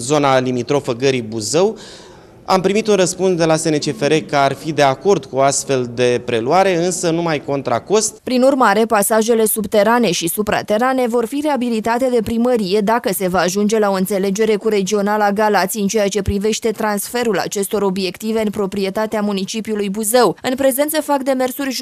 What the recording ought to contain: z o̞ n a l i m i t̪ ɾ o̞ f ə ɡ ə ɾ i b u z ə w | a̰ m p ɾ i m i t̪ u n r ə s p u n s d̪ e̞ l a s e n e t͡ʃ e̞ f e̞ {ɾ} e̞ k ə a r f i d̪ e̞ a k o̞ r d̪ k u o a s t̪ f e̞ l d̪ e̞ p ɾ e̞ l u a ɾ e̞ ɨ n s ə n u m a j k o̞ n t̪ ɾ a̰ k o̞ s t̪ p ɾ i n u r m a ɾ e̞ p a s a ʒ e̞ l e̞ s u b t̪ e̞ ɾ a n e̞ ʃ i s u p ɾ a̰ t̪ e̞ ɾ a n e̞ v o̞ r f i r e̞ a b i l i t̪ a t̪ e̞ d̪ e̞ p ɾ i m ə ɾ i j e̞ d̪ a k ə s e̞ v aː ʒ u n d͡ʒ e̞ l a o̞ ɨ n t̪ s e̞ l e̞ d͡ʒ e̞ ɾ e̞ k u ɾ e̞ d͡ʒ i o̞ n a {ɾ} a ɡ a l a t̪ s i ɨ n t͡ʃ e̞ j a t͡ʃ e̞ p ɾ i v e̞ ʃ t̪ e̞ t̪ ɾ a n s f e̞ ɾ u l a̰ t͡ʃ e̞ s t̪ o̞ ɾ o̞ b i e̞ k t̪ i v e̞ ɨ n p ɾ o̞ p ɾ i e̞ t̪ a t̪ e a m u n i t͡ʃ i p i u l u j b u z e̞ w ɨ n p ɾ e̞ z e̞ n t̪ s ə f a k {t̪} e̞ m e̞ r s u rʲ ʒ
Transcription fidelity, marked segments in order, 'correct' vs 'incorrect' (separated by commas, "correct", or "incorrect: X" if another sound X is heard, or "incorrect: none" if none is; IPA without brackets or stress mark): correct, incorrect: l, incorrect: d̪